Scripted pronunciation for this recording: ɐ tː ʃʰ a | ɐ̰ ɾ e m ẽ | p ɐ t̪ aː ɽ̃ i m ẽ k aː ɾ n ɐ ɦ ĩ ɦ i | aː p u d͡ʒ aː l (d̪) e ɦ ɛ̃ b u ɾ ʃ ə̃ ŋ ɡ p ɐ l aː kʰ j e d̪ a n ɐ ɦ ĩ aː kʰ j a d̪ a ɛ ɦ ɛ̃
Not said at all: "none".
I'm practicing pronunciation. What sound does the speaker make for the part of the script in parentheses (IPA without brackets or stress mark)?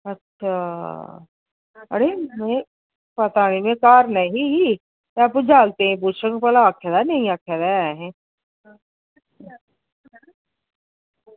t̪